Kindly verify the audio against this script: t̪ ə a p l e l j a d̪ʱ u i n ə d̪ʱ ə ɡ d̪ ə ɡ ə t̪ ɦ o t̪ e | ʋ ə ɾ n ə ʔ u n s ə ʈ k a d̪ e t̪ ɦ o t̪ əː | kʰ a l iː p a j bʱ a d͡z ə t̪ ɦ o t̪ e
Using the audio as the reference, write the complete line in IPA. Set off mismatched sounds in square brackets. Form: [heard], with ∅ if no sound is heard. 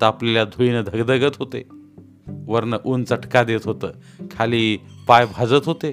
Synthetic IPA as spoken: t̪ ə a p l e l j a d̪ʱ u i n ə d̪ʱ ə ɡ d̪ ə ɡ ə t̪ ɦ o t̪ e | ʋ ə ɾ n ə ʔ u n [t͡s] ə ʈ k a d̪ e t̪ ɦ o t̪ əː | kʰ a l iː p a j bʱ a d͡z ə t̪ ɦ o t̪ e